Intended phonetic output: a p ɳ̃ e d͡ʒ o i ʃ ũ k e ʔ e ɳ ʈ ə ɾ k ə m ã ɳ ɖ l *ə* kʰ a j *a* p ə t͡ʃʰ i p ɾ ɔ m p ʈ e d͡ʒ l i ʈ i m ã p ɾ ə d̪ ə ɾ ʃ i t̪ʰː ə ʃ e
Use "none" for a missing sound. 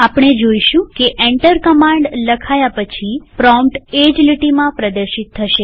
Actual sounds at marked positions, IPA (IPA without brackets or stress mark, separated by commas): ə, a